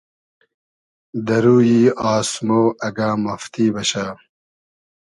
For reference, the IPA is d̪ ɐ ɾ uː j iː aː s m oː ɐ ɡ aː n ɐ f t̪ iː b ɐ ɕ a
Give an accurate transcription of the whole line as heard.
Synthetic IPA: d̪ ɐ ɾ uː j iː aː s m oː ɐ ɡ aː m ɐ f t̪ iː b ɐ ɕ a